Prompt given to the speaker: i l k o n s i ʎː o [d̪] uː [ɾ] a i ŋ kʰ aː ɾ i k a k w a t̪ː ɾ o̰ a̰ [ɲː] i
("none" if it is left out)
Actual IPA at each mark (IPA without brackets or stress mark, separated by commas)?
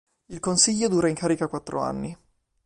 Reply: d̪, ɾ, nː